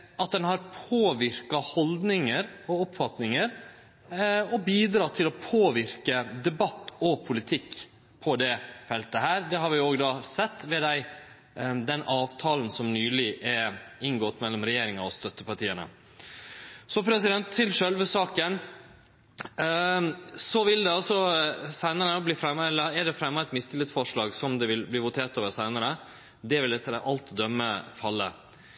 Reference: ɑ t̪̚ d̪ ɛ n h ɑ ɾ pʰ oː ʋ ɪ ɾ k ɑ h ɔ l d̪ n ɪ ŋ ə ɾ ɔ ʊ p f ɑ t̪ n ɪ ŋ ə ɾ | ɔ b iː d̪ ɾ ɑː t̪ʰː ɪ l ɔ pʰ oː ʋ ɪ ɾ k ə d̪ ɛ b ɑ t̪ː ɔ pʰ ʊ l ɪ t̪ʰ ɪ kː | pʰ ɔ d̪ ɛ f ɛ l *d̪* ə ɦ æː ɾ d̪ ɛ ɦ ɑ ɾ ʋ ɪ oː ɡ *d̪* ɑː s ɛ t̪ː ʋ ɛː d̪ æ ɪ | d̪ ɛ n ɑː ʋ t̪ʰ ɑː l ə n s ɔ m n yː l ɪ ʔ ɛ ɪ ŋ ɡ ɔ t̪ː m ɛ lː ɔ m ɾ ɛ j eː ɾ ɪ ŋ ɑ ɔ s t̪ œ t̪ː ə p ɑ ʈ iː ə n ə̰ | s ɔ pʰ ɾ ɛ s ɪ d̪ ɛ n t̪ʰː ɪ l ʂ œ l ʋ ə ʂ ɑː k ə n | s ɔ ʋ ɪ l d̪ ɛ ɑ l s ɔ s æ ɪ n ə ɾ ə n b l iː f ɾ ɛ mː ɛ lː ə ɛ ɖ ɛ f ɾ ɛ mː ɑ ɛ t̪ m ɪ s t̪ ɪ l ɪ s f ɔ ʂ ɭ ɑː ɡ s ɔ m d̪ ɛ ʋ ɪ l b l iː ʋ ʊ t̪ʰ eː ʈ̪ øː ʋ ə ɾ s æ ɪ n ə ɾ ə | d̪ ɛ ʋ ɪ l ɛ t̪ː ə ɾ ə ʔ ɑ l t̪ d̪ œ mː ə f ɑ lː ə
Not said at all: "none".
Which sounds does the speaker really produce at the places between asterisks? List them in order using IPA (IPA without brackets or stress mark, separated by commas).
t̪, d̪